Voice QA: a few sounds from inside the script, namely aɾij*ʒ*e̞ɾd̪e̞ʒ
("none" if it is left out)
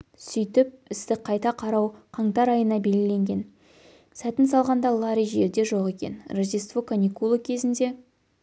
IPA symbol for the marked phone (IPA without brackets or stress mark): ʒ